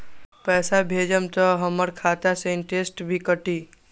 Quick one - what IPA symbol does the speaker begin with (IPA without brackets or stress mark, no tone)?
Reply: p